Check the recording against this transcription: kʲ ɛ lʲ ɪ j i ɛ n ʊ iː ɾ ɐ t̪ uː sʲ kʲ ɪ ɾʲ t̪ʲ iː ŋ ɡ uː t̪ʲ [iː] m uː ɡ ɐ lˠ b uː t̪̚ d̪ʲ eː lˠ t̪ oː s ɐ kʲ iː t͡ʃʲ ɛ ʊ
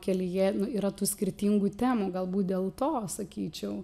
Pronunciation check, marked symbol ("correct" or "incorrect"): incorrect